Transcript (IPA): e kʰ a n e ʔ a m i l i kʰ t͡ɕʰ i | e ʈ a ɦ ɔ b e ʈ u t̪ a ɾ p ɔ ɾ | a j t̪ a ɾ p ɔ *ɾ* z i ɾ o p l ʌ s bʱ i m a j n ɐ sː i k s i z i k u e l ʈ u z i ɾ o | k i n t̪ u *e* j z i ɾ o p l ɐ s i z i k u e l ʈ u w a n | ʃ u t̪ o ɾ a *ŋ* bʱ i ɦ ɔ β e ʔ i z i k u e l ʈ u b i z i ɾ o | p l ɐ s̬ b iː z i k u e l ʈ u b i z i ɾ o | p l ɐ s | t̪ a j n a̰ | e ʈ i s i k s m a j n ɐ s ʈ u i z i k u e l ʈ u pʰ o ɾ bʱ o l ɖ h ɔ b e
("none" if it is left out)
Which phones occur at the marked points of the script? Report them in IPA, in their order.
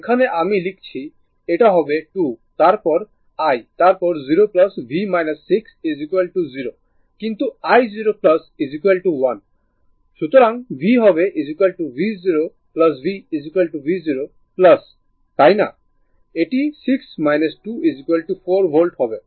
ɾ, a, ŋ

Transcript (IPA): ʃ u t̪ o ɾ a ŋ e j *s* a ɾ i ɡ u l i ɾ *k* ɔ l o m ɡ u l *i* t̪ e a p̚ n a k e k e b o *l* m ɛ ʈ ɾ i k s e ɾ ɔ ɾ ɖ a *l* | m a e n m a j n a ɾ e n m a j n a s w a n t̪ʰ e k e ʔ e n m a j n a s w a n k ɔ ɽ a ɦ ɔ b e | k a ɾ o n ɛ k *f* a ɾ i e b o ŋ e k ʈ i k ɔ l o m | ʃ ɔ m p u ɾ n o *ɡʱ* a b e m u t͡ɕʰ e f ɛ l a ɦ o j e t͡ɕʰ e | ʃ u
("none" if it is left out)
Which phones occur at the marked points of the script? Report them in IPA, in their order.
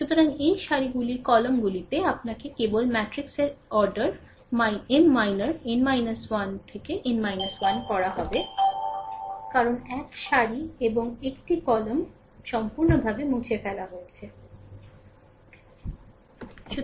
ʃ, k, i, l, ɾ, ʃ, bʱ

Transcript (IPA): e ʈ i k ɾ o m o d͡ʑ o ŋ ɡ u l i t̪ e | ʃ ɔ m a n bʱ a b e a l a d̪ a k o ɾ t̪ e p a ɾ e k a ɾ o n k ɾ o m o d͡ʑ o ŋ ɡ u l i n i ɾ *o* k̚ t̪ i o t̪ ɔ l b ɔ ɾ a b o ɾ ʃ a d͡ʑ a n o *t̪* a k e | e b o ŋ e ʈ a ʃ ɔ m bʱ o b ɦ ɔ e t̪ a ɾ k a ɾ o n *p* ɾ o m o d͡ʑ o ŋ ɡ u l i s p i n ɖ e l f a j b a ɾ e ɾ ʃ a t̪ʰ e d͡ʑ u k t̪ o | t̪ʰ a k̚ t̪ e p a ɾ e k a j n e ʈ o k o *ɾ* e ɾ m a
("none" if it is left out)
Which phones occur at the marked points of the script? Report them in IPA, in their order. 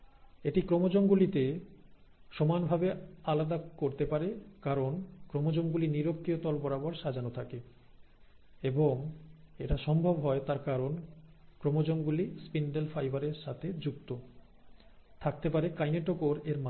o, t̪ʰ, k, ɾ

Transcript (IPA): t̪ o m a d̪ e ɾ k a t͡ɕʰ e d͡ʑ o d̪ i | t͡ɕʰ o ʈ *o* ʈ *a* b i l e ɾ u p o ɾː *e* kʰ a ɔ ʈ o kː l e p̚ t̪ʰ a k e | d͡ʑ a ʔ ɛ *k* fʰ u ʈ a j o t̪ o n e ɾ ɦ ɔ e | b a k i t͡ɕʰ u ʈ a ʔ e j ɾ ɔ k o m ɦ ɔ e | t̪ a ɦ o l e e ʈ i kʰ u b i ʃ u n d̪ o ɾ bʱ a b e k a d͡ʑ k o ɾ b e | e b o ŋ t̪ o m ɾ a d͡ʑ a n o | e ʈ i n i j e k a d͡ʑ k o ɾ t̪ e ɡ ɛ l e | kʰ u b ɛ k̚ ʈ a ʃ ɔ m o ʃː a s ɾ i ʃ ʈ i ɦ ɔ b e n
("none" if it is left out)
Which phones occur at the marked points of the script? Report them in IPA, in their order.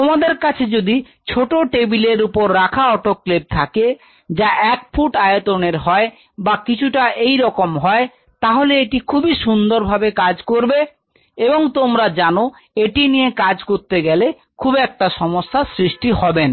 o, e, a, k

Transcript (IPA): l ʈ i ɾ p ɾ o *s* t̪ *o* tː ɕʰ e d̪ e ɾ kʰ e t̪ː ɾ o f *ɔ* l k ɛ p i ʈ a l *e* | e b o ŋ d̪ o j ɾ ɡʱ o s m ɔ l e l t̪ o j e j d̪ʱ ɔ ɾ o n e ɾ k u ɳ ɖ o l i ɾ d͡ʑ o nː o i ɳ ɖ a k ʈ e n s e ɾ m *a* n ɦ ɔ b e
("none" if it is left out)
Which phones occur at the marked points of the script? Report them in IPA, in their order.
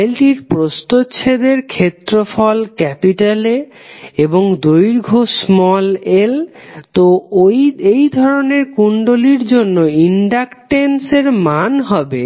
s, o, ɔ, e, a

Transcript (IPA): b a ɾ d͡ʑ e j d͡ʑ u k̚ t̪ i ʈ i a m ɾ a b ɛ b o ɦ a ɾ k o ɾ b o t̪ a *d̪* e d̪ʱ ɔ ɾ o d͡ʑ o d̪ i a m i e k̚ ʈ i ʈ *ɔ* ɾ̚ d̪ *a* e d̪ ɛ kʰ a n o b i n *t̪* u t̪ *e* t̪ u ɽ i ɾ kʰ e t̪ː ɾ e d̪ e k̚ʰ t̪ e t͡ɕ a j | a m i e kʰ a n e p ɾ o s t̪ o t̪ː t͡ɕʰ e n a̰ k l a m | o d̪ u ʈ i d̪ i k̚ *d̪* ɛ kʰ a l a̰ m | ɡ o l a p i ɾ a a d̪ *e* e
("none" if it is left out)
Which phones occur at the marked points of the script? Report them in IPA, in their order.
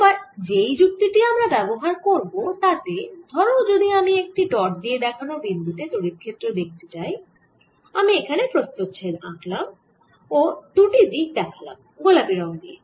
t̪, ɔ, i, d̪, e, d̪, i

